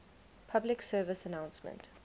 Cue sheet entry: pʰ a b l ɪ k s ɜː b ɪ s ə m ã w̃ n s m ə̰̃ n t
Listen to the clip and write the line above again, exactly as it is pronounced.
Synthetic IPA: pʰ a b l ɪ k s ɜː v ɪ s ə n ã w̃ n s m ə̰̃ n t